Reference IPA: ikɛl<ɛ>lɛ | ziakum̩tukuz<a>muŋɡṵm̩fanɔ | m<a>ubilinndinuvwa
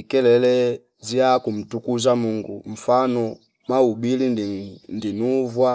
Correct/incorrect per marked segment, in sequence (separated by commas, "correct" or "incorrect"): correct, correct, correct